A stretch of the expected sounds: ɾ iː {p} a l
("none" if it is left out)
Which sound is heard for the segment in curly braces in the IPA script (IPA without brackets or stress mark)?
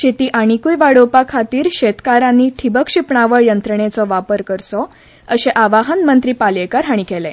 p